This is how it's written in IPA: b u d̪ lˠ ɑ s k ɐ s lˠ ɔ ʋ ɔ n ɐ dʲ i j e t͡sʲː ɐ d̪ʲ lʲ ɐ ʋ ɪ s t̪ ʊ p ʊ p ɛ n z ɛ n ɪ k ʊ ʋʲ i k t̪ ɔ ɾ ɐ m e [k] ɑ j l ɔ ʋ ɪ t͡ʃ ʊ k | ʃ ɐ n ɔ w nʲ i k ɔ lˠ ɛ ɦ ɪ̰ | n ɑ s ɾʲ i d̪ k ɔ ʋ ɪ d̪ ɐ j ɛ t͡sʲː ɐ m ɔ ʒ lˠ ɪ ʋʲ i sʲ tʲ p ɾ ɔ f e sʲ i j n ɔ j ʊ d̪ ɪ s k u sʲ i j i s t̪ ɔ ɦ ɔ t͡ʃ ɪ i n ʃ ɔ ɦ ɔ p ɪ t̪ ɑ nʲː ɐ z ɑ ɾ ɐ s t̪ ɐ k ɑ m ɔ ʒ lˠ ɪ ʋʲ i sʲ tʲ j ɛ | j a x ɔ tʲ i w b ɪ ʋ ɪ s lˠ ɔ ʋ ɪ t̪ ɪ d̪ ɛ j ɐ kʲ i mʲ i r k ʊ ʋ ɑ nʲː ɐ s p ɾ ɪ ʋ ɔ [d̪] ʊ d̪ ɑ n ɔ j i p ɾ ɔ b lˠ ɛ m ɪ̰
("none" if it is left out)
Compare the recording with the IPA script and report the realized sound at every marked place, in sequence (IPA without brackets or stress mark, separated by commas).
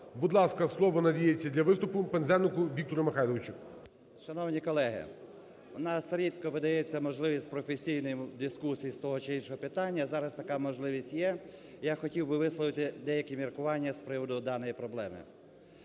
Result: x, d̪